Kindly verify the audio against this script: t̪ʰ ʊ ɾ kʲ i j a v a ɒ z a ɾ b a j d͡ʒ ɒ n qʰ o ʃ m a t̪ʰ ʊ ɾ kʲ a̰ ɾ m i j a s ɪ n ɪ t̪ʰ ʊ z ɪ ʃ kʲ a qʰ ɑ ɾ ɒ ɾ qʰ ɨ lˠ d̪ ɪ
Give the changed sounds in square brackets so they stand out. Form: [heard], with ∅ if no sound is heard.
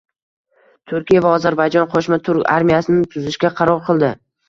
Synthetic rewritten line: t̪ʰ ʊ ɾ kʲ i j a v a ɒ z a ɾ b a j d͡ʒ ɒ n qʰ o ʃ m a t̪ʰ ʊ ɾ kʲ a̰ ɾ m i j a s ɪ n ɪ t̪ʰ ʊ z ɪ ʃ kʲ a qʰ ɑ ɾ ɒ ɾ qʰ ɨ lˠ d̪ ɪ